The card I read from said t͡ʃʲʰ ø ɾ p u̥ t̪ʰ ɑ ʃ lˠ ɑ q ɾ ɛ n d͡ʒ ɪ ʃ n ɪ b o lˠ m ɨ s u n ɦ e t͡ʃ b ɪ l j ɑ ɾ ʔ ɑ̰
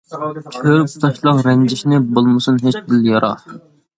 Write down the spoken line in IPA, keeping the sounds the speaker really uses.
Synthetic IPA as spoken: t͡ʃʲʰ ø ɾ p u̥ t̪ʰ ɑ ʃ lˠ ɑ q ɾ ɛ n d͡ʒ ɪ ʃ n ɪ b o lˠ m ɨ s u n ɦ e t͡ʃ b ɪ l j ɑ ɾ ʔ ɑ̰

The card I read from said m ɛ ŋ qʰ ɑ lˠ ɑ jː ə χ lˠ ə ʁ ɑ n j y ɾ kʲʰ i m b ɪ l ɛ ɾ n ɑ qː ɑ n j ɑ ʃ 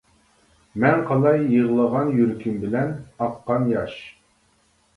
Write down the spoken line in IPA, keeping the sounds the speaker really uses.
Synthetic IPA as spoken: m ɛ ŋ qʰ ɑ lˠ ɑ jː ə ʁ lˠ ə ʁ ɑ n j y ɾ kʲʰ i m b ɪ l ɛ n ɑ qː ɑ n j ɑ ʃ

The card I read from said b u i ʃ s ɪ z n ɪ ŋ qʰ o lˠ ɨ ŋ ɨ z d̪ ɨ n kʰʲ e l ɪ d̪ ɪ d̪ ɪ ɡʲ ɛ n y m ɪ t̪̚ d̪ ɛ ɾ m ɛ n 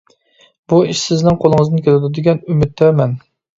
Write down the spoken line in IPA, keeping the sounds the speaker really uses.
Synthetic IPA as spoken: b u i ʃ s ɪ z n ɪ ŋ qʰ o lˠ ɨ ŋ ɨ z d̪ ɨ n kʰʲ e l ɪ d̪ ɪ d̪ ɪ ɡʲ ɛ n y m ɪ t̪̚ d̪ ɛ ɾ m ɛ n

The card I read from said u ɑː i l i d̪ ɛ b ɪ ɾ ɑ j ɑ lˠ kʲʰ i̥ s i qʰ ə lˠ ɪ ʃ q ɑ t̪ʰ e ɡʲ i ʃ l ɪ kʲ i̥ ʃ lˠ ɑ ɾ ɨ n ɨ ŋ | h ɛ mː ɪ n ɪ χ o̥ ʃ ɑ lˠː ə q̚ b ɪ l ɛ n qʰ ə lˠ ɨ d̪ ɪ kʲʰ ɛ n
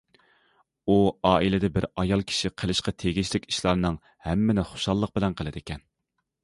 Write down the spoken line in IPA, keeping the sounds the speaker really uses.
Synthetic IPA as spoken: u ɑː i l ɪ d̪ ɛ b ɪ ɾ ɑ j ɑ lˠ kʲʰ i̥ ʃ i qʰ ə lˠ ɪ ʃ q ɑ t̪ʰ e ɡʲ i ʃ l ɪ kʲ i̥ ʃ lˠ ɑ ɾ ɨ n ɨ ŋ | h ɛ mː ɪ n ɪ χ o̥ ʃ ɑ lˠː ə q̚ b ɪ l ɛ n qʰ ə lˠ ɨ d̪ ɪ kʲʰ ɛ n

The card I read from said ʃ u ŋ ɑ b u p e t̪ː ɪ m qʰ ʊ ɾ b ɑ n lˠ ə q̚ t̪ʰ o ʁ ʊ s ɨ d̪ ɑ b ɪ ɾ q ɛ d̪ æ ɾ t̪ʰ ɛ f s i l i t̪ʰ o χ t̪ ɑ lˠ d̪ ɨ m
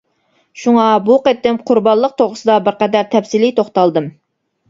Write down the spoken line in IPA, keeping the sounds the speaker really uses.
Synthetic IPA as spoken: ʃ u ŋ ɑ b u q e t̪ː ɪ m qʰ ʊ ɾ b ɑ n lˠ ə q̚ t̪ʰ o ʁ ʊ s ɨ d̪ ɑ b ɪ ɾ q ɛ d̪ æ ɾ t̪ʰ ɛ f s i l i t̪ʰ o χ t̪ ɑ lˠ d̪ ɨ m

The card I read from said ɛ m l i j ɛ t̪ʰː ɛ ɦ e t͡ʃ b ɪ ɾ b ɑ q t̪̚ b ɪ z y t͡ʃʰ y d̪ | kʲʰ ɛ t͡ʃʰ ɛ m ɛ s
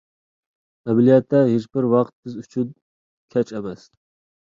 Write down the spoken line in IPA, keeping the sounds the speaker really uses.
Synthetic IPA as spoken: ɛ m l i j ɛ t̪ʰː ɛ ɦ e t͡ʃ b ɪ ɾ w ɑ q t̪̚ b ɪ z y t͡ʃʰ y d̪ | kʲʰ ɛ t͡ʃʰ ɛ m ɛ s

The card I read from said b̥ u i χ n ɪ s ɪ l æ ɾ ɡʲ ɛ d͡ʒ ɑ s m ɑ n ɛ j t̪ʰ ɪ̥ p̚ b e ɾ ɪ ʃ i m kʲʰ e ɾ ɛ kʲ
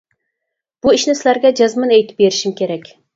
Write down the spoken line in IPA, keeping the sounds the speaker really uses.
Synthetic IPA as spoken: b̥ u i ʃ n ɪ s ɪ l æ ɾ ɡʲ ɛ d͡ʒ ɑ z m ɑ n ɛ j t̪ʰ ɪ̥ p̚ b e ɾ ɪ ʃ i m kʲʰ e ɾ ɛ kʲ

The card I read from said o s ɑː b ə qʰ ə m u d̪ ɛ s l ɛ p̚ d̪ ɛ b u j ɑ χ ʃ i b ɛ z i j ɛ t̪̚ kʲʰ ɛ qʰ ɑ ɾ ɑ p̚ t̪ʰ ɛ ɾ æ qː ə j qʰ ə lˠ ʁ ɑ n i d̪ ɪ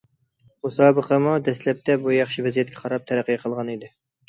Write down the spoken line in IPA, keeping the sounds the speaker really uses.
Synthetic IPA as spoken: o s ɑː b ə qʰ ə m u d̪ ɛ s l ɛ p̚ t̪ ɛ b u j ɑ χ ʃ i v ɛ z i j ɛ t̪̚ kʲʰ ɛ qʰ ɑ ɾ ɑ p̚ t̪ʰ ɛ ɾ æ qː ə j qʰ ə lˠ ʁ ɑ n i d̪ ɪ

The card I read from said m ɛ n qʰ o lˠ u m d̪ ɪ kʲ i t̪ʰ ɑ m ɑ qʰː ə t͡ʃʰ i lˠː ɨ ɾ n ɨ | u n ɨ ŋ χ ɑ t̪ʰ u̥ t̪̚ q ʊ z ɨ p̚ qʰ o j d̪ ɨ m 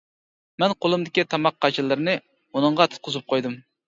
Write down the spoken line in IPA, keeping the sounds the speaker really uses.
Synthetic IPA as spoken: m ɛ n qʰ o lˠ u m d̪ ɪ kʲ i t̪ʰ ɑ m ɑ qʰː ɑ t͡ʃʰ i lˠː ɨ ɾ n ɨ | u n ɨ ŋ ʁ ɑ t̪ʰ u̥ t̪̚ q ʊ z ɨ p̚ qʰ o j d̪ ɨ m

